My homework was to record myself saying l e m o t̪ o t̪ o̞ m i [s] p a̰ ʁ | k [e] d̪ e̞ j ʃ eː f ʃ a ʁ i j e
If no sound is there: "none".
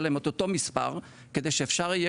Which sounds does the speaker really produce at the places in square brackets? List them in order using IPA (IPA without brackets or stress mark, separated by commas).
s, e